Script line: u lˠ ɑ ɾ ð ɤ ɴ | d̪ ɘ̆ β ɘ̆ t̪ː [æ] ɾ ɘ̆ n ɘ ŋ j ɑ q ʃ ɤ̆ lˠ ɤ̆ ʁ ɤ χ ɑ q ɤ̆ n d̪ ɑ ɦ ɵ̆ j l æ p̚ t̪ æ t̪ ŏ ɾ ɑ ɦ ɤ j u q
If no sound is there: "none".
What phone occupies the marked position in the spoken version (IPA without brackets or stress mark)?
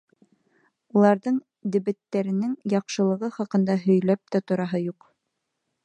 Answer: æ